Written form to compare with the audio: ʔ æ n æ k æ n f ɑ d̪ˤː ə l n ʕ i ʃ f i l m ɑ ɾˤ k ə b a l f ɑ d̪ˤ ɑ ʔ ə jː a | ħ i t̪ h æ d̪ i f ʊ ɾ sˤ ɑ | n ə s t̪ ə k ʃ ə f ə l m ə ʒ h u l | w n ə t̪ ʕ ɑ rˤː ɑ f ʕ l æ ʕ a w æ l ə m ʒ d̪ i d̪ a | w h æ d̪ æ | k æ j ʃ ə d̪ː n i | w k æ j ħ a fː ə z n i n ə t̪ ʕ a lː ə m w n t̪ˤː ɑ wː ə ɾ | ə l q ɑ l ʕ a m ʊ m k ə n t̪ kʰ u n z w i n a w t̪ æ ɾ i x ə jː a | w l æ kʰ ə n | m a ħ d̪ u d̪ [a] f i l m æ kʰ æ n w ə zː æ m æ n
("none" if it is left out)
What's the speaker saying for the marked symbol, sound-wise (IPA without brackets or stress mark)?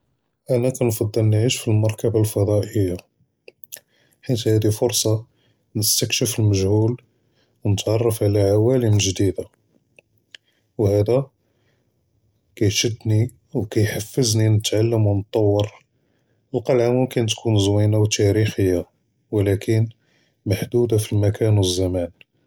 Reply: a